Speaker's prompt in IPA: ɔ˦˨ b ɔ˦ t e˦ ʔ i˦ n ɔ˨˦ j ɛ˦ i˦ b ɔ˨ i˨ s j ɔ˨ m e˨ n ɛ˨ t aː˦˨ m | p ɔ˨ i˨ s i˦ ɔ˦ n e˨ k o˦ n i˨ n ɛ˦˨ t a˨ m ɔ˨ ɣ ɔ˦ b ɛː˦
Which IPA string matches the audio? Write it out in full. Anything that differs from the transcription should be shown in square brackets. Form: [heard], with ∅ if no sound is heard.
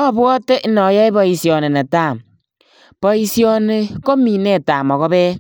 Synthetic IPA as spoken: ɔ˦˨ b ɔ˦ t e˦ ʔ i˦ n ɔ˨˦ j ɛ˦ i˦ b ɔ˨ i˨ s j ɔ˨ [n] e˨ n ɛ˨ t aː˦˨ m | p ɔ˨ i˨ s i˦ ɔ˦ n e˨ k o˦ [m] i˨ n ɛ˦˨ t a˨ m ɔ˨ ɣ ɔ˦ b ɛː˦